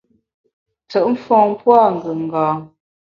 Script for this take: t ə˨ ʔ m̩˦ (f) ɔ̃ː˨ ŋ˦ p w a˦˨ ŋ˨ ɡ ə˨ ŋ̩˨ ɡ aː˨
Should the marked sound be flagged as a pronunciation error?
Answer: no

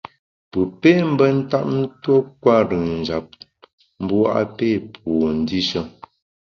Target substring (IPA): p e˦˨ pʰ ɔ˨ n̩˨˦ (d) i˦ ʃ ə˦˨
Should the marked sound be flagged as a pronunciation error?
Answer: no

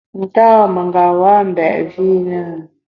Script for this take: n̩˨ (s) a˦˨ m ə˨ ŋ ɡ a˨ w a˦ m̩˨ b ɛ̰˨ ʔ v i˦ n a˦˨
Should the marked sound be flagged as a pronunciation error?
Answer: yes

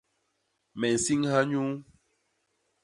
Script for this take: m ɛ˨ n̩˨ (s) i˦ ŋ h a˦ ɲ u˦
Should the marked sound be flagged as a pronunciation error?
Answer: no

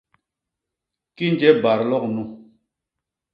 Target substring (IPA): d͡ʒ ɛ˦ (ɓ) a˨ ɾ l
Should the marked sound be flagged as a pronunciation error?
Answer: yes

